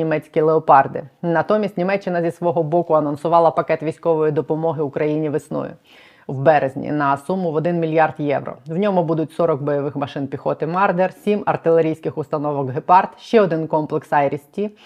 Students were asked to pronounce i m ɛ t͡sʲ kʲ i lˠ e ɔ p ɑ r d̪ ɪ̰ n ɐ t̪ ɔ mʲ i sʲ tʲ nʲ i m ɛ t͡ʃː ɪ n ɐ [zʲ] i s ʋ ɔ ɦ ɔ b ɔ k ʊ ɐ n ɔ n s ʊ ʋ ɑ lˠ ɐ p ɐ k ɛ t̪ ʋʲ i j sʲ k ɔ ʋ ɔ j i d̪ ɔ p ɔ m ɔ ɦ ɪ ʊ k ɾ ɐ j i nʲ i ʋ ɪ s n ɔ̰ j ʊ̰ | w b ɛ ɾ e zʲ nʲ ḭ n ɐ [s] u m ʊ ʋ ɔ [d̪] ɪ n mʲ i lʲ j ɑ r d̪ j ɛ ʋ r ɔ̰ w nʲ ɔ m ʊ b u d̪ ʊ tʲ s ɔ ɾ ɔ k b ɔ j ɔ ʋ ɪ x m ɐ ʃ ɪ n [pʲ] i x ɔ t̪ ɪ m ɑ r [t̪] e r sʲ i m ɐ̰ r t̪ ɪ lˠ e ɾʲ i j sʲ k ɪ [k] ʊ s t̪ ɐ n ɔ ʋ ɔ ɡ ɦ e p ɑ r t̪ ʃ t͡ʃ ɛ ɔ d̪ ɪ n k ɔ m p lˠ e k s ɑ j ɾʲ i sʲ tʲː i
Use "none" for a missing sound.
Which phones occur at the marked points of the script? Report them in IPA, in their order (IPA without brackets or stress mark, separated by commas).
zʲ, s, d̪, pʲ, d̪, x